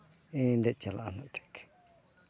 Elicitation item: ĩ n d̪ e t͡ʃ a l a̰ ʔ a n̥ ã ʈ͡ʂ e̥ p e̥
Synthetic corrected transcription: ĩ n d̪ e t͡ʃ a l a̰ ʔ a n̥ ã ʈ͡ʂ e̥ k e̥